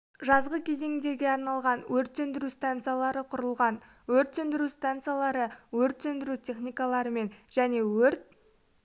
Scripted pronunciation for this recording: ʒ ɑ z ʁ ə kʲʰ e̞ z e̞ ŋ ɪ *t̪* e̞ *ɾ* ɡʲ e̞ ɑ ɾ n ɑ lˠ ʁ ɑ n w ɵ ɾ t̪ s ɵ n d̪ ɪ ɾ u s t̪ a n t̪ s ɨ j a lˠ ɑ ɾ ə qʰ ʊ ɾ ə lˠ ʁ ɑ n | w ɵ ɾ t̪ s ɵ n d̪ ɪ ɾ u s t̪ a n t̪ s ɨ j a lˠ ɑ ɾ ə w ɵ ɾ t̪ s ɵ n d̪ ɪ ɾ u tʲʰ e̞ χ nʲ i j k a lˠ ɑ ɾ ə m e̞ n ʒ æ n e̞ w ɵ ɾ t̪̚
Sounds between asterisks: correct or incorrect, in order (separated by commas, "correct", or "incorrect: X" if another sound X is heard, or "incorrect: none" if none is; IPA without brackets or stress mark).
incorrect: d̪, correct